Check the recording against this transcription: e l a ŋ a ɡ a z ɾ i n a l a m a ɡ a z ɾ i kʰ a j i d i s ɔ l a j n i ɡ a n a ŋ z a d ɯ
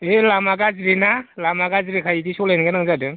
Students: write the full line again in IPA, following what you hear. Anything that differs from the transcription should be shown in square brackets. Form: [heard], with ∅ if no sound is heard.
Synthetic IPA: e l a [m] a ɡ a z ɾ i n a l a m a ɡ a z ɾ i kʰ a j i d i s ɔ l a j n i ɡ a n a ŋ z a d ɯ